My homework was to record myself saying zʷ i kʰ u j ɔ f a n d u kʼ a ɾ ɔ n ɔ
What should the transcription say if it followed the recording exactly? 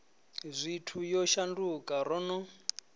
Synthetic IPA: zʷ i tʰ u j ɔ ʃ a n d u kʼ a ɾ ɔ n ɔ